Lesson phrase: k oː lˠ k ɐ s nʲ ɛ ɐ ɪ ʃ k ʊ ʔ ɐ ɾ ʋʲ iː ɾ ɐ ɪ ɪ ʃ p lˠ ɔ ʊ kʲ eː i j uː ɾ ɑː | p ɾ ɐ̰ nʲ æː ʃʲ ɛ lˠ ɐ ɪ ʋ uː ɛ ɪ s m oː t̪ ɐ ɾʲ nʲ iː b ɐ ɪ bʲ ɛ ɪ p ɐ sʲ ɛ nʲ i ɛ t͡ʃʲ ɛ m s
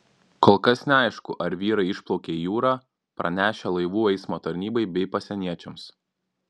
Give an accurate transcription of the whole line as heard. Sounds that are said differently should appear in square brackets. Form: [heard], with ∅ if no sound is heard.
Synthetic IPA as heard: k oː lˠ k ɐ s nʲ ɛ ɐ ɪ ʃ k ʊ ʔ ɐ ɾ ʋʲ iː ɾ ɐ ɪ ɪ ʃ p lˠ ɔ ʊ kʲ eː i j uː ɾ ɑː | p ɾ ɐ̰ nʲ æː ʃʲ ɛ lˠ ɐ ɪ ʋ uː ɛ ɪ s m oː t̪ ɐ ɾʲ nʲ iː b ɐ ɪ bʲ ɛ ɪ p ɐ sʲ ɛ nʲ i ɛ t͡ʃʲ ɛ m s

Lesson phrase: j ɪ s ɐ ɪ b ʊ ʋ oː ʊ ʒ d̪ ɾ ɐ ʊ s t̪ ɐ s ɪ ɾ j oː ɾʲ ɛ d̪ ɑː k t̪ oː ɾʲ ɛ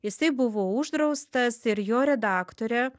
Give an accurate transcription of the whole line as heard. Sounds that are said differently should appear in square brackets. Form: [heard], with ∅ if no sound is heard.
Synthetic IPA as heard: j ɪ s ɐ ɪ b ʊ ʋ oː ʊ ʒ d̪ ɾ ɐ ʊ s t̪ ɐ s ɪ ɾ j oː ɾʲ ɛ d̪ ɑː k t̪ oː ɾʲ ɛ

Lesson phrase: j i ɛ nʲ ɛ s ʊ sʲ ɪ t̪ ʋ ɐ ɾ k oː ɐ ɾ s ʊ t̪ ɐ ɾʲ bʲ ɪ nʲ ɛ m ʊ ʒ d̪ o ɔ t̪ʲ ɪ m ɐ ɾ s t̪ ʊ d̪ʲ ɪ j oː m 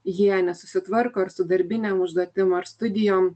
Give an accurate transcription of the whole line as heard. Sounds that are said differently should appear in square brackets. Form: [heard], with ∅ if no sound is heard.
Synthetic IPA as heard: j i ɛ nʲ ɛ s ʊ sʲ ɪ t̪ ʋ ɐ ɾ k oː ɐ ɾ s ʊ [d̪] ɐ ɾʲ bʲ ɪ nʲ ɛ m ʊ ʒ d̪ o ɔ t̪ʲ ɪ m ɐ ɾ s t̪ ʊ d̪ʲ ɪ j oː m

